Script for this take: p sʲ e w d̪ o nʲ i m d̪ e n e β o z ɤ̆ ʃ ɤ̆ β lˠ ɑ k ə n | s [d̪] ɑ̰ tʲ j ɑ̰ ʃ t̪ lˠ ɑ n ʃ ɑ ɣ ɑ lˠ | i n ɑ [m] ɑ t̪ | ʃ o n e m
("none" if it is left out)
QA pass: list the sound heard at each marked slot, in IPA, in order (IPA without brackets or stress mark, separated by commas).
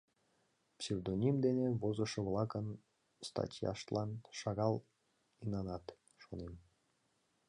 t̪, n